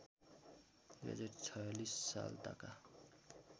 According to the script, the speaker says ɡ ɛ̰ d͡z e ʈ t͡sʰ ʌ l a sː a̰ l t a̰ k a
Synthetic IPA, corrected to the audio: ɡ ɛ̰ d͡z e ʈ t͡sʰ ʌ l i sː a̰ l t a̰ k a